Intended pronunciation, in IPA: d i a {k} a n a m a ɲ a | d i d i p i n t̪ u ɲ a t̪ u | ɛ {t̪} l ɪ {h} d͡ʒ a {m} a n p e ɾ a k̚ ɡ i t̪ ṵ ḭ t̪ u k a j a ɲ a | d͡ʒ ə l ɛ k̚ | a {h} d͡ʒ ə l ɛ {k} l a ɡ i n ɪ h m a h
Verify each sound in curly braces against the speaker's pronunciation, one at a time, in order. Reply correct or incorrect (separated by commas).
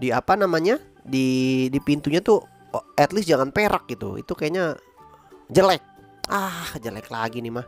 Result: incorrect, correct, incorrect, incorrect, correct, correct